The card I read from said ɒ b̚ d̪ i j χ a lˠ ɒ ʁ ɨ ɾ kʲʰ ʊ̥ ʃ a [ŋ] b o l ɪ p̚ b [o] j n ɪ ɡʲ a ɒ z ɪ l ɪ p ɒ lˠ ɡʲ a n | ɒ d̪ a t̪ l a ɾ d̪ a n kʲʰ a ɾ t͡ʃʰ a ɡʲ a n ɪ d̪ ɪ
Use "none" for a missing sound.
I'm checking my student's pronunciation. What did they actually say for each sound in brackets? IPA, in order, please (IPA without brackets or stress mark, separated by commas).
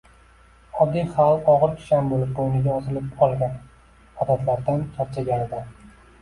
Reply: n, o